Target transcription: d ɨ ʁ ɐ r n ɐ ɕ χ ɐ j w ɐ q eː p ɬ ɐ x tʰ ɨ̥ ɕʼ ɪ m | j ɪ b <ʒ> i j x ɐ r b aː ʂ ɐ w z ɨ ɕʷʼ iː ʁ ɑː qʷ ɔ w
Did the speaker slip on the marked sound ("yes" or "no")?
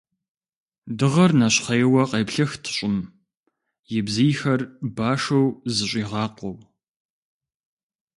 yes